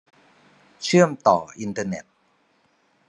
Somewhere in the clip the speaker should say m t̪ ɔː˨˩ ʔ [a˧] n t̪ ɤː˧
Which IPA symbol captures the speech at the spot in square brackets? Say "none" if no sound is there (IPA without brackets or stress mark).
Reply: i˧